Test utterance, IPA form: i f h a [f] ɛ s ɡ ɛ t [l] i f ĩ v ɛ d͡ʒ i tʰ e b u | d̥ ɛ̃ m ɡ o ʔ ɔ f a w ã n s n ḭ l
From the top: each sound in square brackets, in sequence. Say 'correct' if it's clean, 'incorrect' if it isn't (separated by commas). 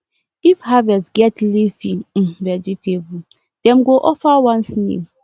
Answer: incorrect, correct